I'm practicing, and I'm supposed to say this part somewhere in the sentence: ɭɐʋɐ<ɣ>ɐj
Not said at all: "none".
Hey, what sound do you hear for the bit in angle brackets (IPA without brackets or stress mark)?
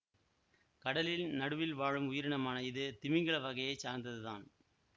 ɣ